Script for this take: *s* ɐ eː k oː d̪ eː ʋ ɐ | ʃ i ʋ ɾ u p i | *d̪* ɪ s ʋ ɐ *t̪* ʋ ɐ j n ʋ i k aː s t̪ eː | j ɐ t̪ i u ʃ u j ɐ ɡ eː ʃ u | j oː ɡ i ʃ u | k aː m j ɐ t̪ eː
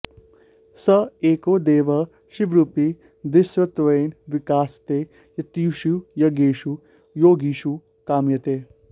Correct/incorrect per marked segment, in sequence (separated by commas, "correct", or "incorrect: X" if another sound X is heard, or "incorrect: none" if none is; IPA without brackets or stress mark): correct, correct, correct